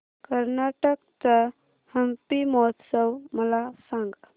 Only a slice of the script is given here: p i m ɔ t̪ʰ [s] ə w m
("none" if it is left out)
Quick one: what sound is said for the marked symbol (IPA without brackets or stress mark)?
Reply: s